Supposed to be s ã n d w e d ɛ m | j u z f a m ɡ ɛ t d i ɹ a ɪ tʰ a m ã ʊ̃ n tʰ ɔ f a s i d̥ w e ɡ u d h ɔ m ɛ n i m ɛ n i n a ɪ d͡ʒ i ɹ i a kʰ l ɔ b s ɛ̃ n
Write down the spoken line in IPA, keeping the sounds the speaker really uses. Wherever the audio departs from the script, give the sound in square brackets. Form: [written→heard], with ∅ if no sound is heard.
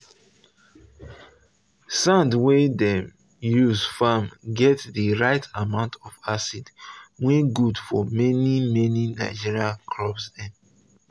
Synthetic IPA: s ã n d w e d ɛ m | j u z f a m ɡ ɛ t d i ɹ a ɪ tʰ a m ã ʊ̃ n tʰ ɔ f a s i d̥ w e ɡ u d [h→f] ɔ m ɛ n i m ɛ n i n a ɪ d͡ʒ i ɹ i a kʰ l ɔ b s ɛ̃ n